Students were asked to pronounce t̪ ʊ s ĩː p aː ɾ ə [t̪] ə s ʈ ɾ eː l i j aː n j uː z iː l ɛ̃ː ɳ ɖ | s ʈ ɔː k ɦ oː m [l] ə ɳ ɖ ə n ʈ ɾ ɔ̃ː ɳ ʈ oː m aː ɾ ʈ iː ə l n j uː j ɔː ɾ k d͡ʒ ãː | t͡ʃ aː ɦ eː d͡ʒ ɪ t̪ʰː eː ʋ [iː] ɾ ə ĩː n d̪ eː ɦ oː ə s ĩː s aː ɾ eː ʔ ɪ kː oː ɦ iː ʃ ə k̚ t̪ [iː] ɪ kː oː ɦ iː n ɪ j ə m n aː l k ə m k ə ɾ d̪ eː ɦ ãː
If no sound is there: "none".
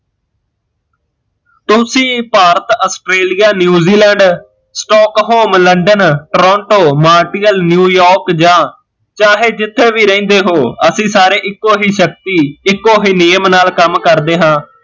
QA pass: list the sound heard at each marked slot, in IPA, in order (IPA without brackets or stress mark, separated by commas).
t̪, l, iː, iː